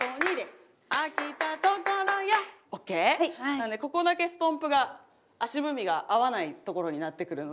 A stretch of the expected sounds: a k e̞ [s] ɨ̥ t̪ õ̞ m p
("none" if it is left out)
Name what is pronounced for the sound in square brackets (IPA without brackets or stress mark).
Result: s